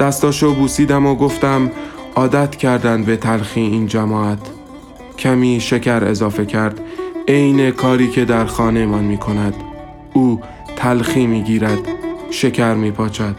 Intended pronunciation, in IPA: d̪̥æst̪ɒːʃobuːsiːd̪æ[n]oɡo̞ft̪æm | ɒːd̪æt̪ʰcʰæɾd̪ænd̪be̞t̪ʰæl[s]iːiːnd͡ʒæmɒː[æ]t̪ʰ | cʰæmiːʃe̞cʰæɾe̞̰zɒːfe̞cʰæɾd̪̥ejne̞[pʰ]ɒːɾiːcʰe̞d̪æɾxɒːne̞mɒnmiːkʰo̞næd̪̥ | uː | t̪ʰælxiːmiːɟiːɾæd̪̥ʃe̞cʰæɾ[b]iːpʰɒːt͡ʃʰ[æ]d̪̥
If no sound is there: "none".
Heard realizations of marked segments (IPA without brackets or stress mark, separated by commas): m, x, æ, kʰ, m, æ